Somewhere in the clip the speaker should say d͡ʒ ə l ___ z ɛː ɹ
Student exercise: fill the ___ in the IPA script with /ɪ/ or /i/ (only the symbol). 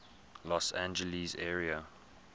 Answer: i